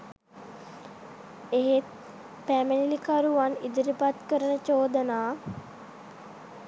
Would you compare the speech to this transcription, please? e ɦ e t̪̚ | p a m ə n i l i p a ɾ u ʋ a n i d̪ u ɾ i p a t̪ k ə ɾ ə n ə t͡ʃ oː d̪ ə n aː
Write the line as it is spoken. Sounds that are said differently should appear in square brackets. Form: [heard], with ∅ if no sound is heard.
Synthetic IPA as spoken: e ɦ e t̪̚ | p [æ] m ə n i l i [k] a ɾ u ʋ a n i d̪ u ɾ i p a t̪ k ə ɾ ə n ə t͡ʃ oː d̪ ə n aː